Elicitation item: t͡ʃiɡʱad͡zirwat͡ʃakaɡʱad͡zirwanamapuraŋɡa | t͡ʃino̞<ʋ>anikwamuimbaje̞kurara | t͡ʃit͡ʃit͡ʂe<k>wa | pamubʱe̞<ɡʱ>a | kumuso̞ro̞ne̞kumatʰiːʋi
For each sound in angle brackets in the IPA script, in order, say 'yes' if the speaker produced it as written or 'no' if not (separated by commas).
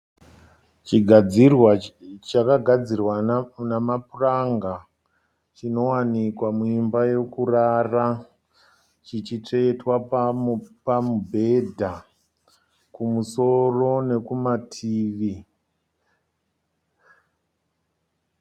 no, no, no